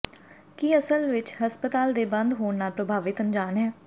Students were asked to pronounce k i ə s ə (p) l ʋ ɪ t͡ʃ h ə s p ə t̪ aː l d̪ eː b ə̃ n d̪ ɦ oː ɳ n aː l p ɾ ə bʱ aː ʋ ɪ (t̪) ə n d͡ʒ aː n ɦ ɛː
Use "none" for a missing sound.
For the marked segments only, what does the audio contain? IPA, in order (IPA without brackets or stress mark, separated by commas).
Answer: none, t̪